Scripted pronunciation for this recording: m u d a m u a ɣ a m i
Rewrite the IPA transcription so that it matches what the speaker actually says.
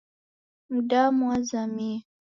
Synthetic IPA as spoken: m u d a m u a z a m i